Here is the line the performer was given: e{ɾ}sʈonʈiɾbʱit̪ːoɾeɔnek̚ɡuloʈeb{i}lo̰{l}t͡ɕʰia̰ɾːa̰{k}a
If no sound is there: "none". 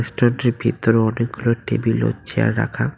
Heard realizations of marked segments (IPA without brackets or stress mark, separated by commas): none, i, none, kʰ